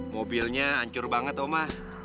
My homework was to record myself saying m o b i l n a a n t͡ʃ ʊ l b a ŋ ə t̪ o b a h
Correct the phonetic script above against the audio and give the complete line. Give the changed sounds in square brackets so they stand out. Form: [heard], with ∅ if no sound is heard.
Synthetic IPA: m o b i l [ɲ] a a [ɲ] t͡ʃ ʊ [r] b a ŋ ə t̪ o [m] a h

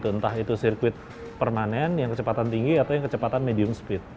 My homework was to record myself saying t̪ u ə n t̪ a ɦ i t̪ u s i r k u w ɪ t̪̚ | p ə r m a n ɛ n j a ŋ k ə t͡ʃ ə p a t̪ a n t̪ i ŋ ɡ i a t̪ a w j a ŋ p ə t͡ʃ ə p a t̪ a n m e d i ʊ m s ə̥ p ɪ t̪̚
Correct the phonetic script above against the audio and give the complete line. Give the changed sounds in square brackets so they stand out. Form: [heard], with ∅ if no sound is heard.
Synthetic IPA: t̪ u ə n t̪ a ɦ i t̪ u s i r k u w ɪ t̪̚ | p ə r m a n ɛ n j a ŋ k ə t͡ʃ ə p a t̪ a n t̪ i ŋ ɡ i a t̪ a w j a ŋ [k] ə t͡ʃ ə p a t̪ a n m e d i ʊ m s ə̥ p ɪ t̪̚

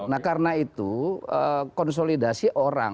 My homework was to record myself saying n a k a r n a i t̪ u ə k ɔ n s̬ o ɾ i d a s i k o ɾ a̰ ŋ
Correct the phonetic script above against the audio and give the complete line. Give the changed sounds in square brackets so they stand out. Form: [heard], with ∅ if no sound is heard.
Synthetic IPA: n a k a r n a i t̪ u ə k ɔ n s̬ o [l] i d a s i [ʔ] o ɾ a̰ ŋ

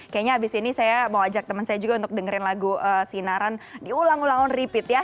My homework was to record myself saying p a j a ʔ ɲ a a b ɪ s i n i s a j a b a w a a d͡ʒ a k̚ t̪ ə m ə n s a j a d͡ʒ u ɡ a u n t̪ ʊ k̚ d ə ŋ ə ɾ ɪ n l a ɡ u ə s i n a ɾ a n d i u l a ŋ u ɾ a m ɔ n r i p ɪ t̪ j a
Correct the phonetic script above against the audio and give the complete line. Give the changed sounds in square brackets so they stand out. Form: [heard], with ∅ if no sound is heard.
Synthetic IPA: [k] a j a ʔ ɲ a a b ɪ s i n i s a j a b a w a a d͡ʒ a k̚ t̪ ə m ə n s a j a d͡ʒ u ɡ a u n t̪ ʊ k̚ d ə ŋ ə ɾ ɪ n l a ɡ u ə s i n a ɾ a n d i u l a ŋ u [l] a [ŋ] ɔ n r i p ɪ t̪ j a

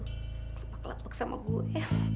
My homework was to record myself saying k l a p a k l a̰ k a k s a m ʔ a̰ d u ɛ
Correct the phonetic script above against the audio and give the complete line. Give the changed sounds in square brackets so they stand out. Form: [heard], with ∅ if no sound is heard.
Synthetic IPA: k l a p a k l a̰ [p] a k s a m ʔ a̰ [ɡ] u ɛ

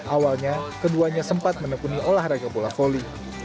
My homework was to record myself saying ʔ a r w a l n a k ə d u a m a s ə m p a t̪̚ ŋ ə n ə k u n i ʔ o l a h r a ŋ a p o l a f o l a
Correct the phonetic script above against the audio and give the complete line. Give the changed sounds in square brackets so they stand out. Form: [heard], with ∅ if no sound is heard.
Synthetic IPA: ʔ a [∅] w a l [ɲ] a k ə d u a [ɲ] a s ə m p a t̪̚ [m] ə n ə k u n i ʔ o l a h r a [ɡ] a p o l a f o l [i]

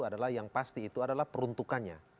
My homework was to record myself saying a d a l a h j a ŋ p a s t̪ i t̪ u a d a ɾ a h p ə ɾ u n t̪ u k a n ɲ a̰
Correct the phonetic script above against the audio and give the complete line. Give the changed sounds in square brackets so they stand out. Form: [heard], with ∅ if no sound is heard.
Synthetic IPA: a d a l a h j a ŋ p a s t̪ [iː] t̪ u a d a [l] a h p ə ɾ u n t̪ u k a n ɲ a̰

